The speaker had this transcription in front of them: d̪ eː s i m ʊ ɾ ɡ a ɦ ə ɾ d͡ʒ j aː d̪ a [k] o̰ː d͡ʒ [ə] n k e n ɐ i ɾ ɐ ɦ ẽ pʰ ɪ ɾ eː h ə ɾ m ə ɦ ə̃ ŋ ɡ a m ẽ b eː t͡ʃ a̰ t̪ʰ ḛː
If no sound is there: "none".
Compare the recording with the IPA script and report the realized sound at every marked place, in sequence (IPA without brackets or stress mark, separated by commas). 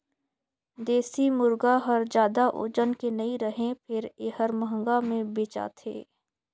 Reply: ʔ, ə